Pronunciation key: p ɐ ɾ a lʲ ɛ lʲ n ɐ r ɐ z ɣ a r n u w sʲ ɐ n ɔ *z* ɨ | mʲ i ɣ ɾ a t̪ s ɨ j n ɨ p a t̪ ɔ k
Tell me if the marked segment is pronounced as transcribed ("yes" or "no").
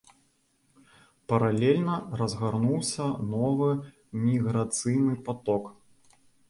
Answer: no